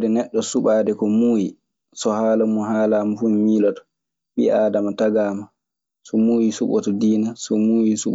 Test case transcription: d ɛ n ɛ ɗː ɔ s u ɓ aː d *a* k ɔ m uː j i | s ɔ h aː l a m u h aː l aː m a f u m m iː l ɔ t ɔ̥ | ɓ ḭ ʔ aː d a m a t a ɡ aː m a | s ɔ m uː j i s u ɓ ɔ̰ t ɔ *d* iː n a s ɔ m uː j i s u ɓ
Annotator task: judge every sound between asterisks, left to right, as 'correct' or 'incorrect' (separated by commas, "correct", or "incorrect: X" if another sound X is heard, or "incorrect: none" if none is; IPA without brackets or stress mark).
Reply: incorrect: ɛ, correct